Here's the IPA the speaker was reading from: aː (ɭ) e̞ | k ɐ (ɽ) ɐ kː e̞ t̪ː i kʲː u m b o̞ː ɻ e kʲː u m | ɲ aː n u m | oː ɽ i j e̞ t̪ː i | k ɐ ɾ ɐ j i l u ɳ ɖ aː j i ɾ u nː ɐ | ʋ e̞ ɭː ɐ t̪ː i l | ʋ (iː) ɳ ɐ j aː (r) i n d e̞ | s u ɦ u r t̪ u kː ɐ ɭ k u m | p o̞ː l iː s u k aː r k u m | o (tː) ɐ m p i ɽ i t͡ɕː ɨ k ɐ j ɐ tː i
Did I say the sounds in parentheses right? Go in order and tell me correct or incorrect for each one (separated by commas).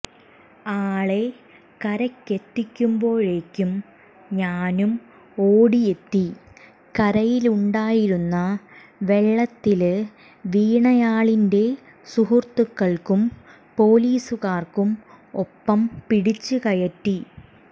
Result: correct, incorrect, correct, incorrect, incorrect